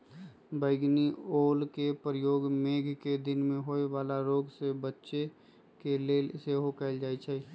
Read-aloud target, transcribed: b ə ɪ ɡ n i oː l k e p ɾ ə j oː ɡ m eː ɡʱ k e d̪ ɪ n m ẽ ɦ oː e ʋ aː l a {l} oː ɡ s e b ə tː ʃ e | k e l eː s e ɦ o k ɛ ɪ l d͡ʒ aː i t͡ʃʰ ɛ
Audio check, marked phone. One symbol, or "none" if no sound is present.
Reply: ɾ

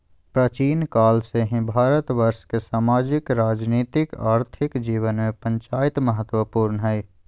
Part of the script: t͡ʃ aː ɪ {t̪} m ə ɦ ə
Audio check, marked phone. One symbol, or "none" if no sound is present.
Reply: t̪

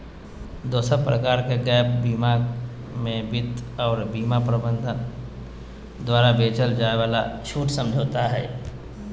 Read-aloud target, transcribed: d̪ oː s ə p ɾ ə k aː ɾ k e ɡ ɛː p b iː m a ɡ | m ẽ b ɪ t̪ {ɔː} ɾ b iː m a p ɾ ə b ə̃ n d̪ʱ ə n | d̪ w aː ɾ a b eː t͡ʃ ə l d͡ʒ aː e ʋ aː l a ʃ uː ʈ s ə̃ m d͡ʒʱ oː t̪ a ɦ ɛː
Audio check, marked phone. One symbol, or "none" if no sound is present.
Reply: ɔː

